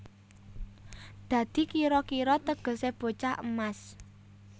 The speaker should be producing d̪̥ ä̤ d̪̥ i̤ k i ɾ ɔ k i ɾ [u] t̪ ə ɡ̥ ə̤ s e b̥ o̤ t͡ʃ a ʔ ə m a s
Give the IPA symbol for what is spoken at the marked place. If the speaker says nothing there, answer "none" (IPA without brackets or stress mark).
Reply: ɔ